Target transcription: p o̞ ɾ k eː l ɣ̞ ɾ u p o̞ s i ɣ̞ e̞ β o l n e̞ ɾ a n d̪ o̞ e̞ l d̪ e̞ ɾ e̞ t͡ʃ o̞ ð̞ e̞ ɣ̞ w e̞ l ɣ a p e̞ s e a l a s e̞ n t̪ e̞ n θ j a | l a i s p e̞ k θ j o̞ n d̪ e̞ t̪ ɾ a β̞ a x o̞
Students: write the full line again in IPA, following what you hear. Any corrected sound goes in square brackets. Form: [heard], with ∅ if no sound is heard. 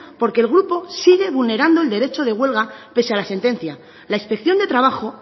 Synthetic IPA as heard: p o̞ ɾ k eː l ɣ̞ ɾ u p o̞ s i ɣ̞ e̞ β [u] l n e̞ ɾ a n d̪ o̞ e̞ l d̪ e̞ ɾ e̞ t͡ʃ o̞ ð̞ e̞ ɣ̞ w e̞ l ɣ a p e̞ s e a l a s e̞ n t̪ e̞ n θ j a | l a i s p e̞ k θ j o̞ n d̪ e̞ t̪ ɾ a β̞ a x o̞